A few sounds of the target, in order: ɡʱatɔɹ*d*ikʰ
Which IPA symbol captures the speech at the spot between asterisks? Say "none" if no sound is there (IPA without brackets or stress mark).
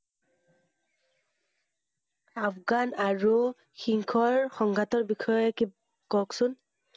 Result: b